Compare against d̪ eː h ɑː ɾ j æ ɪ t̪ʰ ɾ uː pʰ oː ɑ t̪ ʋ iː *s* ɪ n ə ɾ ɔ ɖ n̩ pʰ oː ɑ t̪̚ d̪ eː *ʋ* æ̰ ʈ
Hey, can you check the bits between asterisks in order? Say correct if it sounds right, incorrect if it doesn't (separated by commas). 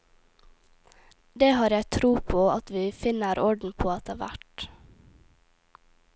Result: incorrect, correct